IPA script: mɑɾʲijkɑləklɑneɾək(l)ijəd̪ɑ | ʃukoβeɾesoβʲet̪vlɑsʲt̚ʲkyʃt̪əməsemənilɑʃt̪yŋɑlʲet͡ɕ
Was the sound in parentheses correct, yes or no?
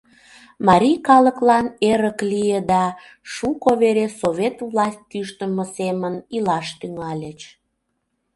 yes